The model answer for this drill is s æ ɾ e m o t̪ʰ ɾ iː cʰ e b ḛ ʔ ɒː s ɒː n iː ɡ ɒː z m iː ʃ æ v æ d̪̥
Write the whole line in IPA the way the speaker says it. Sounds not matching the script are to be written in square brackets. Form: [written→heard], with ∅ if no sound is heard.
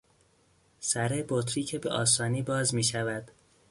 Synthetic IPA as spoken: s æ ɾ e [m→b] o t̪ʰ ɾ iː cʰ e b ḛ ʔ ɒː s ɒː n iː [ɡ→b] ɒː z m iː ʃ æ v æ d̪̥